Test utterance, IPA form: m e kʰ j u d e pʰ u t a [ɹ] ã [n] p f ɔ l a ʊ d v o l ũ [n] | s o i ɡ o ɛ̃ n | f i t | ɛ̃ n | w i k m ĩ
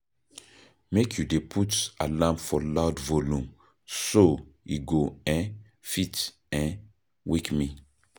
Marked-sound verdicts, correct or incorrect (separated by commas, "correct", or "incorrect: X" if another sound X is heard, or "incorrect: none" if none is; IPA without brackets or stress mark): incorrect: l, incorrect: m, incorrect: m